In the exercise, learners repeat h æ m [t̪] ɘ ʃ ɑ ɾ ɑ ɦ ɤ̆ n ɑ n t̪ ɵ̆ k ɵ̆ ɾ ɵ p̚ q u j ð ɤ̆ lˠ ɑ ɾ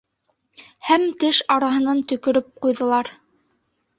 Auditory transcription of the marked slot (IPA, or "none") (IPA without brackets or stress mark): t̪